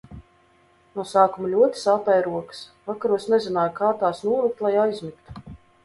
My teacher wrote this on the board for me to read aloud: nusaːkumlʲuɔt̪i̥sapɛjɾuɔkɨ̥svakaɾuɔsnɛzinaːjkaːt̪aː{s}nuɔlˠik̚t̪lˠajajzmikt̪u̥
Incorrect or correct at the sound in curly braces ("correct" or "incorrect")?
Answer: correct